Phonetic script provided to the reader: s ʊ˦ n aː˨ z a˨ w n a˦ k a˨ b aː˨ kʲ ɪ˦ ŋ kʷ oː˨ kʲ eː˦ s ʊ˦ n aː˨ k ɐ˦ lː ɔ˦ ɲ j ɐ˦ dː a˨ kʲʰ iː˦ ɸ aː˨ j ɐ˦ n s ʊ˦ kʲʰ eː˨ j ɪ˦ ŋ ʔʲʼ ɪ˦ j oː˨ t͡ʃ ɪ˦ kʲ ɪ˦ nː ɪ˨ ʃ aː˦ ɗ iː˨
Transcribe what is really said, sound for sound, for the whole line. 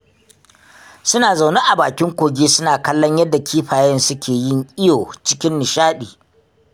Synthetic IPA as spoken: s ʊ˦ n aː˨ z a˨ w n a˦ ʔ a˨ b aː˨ kʲ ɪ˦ ŋ kʷ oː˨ ɡʲ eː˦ s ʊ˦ n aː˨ k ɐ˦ lː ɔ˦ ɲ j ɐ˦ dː a˨ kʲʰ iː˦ ɸ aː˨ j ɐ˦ n s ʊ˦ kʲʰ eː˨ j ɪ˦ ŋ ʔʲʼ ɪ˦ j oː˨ t͡ʃ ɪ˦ kʲ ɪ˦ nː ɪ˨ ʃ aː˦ ɗ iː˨

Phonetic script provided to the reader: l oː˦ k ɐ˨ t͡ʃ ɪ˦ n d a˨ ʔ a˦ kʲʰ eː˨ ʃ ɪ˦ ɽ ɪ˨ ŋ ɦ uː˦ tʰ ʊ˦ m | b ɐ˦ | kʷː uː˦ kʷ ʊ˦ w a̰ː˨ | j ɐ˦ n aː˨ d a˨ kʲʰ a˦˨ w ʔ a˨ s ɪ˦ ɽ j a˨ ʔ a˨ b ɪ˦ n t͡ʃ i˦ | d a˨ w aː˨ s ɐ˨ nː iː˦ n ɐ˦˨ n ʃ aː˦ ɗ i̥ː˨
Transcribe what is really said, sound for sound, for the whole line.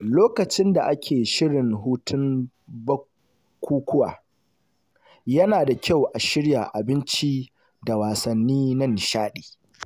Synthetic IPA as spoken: l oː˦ k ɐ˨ t͡ʃ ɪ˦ n d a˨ ʔ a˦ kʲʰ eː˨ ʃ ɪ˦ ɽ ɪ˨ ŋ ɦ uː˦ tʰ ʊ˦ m | b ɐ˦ | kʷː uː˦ kʷ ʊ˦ w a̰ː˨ | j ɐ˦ n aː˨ d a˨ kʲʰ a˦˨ w ʔ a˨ ʃ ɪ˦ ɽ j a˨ ʔ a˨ b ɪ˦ n t͡ʃ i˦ | d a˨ w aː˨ s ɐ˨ nː iː˦ n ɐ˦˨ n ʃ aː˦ ɗ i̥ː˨

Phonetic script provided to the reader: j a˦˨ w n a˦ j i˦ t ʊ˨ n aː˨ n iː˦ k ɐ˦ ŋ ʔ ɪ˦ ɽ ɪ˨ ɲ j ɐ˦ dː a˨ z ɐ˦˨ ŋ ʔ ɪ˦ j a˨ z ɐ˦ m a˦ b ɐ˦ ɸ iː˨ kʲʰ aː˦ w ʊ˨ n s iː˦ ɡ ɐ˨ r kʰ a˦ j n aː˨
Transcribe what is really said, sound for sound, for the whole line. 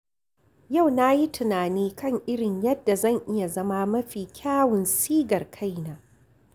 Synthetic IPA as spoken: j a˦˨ w n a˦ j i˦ t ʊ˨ n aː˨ n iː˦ k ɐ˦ ŋ ʔ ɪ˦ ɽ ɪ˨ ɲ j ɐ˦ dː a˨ z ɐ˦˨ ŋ ʔ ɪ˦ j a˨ z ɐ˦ m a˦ m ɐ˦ ɸ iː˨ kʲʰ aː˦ w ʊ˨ n s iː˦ ɡ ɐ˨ r kʰ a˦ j n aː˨

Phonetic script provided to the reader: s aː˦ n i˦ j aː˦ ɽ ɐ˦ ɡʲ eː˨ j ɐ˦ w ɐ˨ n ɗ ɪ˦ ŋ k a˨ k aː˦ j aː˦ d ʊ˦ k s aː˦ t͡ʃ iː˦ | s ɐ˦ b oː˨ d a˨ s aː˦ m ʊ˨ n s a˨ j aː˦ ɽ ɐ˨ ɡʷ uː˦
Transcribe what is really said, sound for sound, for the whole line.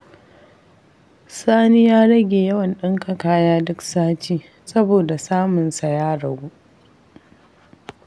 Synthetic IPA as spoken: s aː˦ n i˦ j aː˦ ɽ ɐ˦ ɡʲ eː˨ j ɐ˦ w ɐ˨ n ɗ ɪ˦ ŋ k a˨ k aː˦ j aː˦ d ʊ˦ k s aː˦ t͡ʃ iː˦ | s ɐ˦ b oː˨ d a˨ s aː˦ m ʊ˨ n s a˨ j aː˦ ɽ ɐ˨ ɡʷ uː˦

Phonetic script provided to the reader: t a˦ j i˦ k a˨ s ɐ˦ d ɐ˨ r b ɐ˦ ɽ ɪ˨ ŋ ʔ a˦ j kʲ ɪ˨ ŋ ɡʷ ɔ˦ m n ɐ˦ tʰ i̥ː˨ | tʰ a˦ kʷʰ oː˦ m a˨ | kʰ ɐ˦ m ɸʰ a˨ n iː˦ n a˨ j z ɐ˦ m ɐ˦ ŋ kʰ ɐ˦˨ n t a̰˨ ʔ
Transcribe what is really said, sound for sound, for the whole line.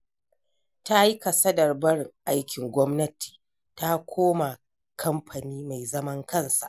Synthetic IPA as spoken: t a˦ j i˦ k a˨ s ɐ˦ d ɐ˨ r b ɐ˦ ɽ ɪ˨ ŋ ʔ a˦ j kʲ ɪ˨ ŋ ɡʷ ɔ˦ m n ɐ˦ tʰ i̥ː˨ | t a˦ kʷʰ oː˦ m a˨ | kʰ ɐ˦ m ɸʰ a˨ n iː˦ m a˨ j z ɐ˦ m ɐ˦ ŋ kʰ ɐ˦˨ n s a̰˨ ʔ

